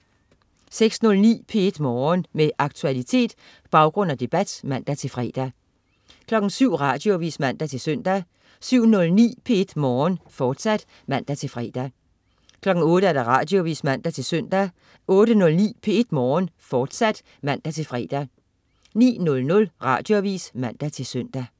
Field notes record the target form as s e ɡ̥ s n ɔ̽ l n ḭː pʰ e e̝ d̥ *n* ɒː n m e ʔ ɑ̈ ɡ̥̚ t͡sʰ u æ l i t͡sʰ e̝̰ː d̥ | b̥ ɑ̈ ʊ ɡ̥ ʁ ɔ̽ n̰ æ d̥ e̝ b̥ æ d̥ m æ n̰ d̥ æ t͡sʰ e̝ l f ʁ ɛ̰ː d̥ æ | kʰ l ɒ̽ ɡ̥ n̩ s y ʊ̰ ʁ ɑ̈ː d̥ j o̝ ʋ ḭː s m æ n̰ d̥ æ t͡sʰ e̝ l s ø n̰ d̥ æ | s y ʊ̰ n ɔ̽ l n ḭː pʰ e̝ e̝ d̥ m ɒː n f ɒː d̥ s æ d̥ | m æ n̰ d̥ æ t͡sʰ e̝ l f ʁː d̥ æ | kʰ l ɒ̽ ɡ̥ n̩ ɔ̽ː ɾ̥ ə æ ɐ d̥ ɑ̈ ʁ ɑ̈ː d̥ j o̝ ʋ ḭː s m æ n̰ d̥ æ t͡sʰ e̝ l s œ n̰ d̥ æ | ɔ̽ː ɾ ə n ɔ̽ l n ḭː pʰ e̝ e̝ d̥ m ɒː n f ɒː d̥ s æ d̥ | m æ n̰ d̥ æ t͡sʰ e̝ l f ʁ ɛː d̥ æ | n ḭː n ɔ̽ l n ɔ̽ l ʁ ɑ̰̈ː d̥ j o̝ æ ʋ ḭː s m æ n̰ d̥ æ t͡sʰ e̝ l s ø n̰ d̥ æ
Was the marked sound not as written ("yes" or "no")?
yes